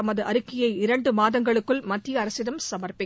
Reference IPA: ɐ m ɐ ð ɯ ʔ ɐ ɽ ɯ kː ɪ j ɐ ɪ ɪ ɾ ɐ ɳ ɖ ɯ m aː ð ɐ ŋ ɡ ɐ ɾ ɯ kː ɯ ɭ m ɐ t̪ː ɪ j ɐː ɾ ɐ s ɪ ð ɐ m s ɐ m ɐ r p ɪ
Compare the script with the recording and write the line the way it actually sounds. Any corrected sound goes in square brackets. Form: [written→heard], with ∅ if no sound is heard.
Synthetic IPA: ɐ m ɐ ð ɯ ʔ ɐ [ɽ→ɾ] ɯ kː ɪ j ɐ ɪ ɪ ɾ ɐ ɳ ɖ ɯ m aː ð ɐ ŋ ɡ ɐ [ɾ→ɭ] ɯ kː ɯ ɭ m ɐ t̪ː ɪ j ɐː ɾ ɐ s ɪ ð ɐ m s ɐ m ɐ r p ɪ